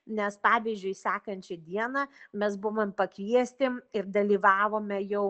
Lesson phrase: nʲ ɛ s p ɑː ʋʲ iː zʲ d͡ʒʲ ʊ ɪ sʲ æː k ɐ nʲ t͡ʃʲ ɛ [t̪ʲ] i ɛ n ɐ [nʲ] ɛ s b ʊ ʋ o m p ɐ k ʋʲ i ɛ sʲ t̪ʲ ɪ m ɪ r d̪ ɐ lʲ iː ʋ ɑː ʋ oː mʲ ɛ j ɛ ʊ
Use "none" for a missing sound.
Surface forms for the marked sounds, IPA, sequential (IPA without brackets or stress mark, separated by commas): d̪ʲ, mʲ